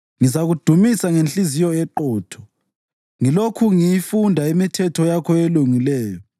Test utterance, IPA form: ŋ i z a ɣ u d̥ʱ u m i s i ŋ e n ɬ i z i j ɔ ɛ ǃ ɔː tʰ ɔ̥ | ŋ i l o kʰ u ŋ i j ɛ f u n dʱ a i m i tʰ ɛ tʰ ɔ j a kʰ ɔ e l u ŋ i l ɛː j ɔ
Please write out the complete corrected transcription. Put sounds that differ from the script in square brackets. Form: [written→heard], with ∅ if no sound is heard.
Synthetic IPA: ŋ i z a ɣ u d̥ʱ u m i s [i→a] ŋ e n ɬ i z i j ɔ ɛ ǃ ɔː tʰ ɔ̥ | ŋ i l o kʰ u ŋ i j [ɛ→i] f u n dʱ a i m i tʰ ɛ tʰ ɔ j a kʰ ɔ e l u ŋ i l ɛː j ɔ